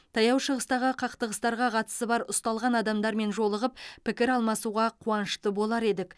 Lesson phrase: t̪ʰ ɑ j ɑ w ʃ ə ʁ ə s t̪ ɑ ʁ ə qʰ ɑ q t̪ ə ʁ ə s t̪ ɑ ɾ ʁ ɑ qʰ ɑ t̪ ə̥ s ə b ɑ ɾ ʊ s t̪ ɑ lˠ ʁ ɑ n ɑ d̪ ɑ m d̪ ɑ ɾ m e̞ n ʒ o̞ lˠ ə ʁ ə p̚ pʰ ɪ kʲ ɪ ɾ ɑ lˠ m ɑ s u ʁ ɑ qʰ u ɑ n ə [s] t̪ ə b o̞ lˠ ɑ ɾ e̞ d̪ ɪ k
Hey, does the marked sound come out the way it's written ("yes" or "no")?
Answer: no